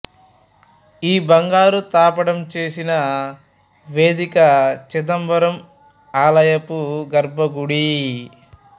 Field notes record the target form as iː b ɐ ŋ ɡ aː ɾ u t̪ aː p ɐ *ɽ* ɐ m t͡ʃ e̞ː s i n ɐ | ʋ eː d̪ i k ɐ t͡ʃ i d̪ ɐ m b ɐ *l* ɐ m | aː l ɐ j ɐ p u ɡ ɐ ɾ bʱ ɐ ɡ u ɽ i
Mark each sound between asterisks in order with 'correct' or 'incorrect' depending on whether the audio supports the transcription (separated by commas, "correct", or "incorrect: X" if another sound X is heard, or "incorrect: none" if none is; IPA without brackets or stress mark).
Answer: correct, incorrect: ɾ